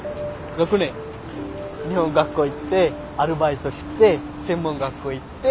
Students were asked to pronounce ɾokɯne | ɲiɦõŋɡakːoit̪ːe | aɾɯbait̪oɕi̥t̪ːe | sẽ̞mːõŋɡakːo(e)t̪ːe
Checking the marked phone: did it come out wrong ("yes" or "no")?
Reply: yes